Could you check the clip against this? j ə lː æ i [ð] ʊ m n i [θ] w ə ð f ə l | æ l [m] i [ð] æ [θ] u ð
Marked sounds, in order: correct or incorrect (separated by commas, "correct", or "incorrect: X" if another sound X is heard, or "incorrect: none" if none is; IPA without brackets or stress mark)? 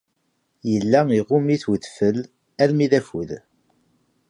incorrect: ʁ, correct, correct, correct, incorrect: f